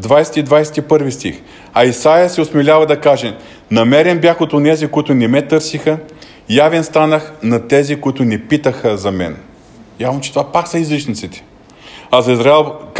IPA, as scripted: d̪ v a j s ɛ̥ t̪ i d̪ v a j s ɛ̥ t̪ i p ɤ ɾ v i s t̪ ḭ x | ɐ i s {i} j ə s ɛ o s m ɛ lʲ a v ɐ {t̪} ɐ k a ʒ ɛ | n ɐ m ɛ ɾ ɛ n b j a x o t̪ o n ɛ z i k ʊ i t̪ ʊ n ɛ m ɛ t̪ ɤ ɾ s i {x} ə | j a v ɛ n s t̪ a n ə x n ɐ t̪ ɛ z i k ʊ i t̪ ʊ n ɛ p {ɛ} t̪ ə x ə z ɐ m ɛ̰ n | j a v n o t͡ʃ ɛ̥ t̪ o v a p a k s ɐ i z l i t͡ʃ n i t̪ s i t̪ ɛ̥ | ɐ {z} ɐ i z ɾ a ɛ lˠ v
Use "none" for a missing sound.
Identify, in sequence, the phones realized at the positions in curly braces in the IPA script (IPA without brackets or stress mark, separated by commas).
a, d̪, x, i, z